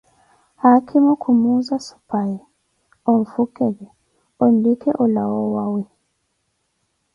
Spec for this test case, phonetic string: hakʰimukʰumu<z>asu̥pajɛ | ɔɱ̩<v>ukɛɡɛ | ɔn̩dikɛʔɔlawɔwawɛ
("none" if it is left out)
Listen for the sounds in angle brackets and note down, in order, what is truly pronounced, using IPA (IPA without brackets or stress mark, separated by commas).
z, f